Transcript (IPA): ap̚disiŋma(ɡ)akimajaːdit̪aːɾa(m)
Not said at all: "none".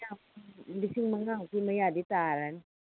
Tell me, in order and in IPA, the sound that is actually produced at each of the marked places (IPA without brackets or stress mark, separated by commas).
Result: ŋ, n